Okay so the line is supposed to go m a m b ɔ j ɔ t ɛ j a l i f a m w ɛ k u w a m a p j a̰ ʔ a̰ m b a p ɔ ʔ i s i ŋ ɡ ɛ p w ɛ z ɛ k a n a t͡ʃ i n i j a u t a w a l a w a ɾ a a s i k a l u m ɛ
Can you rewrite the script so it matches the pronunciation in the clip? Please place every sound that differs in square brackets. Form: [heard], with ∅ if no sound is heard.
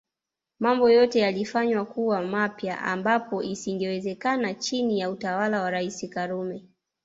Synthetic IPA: m a m b ɔ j ɔ t ɛ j a l i f a [ɲ] w [a] k u w a m a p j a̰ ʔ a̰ m b a p ɔ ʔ i s i ŋ ɡ ɛ [∅] w ɛ z ɛ k a n a t͡ʃ i n i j a u t a w a l a w a ɾ a [i] s i k a [ɾ] u m ɛ